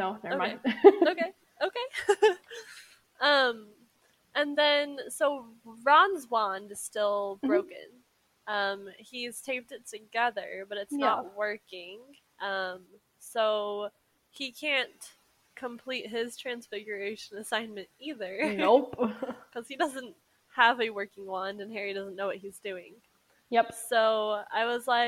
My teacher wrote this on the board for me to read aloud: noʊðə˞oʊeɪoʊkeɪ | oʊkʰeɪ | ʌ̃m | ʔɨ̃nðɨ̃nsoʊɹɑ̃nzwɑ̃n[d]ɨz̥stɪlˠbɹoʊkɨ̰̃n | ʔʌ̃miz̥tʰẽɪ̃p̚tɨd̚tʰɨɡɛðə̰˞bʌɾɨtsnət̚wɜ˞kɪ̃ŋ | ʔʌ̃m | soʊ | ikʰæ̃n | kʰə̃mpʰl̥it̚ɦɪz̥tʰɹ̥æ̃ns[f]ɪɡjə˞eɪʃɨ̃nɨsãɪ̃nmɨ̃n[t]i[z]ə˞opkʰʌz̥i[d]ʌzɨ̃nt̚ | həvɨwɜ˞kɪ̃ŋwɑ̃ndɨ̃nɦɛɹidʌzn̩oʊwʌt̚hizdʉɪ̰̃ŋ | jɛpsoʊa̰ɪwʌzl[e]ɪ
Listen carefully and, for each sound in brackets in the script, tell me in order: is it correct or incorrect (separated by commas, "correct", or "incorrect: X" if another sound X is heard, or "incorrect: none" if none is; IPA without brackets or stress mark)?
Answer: correct, correct, correct, incorrect: ð, correct, incorrect: a